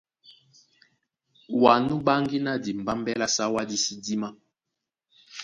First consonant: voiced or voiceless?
voiced